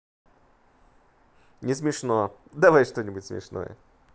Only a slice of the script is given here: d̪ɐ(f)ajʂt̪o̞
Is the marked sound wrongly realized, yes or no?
yes